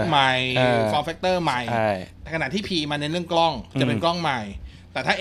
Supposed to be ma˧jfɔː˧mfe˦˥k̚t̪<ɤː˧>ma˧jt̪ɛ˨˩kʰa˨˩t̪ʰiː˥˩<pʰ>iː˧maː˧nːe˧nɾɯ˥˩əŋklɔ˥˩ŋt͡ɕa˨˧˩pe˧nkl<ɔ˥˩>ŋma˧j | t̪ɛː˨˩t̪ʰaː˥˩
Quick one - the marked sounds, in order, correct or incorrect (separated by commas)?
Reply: incorrect, correct, correct